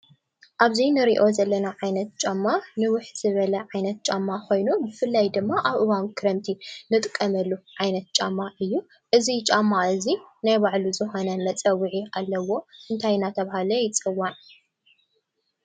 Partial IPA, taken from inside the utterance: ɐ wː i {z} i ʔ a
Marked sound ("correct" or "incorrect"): incorrect